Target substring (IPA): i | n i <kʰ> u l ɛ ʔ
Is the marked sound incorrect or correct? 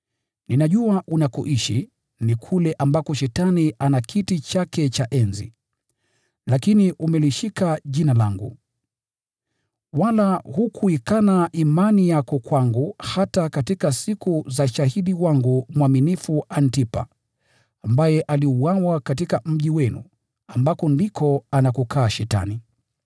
correct